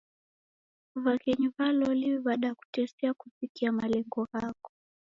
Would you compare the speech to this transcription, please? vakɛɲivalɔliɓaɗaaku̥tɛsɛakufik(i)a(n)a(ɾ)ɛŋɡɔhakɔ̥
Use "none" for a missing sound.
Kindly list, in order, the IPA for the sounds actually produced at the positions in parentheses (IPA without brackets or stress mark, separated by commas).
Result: i, m, l